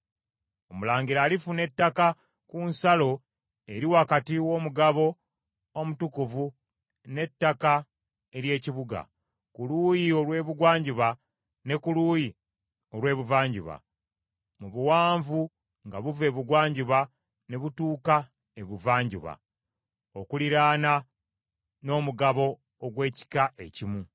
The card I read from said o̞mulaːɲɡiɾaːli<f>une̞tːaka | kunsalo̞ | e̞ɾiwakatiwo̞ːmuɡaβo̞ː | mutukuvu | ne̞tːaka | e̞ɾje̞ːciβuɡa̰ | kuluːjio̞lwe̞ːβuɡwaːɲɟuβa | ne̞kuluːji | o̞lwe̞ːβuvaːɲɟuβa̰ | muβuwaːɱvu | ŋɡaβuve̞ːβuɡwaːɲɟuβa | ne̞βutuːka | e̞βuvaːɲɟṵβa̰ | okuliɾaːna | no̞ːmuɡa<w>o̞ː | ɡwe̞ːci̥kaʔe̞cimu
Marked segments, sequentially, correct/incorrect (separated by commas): correct, incorrect